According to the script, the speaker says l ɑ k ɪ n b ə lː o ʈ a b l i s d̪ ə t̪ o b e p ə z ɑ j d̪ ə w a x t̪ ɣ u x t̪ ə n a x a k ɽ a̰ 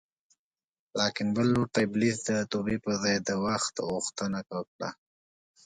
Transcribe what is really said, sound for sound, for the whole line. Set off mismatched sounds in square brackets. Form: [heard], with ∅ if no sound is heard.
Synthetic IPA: l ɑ k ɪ n b ə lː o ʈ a b l i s d̪ ə t̪ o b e p ə z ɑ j d̪ ə w a x t̪ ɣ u x t̪ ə n a [k] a k ɽ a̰